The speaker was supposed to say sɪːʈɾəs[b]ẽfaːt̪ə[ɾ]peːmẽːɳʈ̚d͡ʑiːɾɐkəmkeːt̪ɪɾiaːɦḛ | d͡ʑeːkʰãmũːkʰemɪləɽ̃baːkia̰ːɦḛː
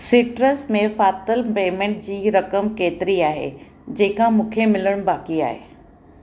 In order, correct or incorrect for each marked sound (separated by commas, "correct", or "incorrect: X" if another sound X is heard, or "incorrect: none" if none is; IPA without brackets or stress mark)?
incorrect: m, incorrect: l